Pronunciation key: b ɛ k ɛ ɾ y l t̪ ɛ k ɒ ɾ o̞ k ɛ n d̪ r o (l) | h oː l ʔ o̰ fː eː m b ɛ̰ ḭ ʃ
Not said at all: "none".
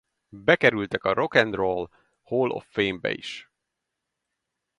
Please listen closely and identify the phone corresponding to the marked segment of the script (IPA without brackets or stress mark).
l